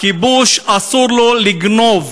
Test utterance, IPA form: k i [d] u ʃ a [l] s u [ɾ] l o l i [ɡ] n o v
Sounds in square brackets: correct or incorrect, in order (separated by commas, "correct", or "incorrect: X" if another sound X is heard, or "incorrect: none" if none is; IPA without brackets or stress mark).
incorrect: b, incorrect: none, correct, correct